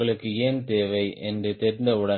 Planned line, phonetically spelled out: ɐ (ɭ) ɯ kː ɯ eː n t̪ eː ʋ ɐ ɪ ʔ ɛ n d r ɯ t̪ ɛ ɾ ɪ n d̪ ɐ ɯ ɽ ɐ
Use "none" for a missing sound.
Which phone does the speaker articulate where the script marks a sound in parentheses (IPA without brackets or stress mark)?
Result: ɭ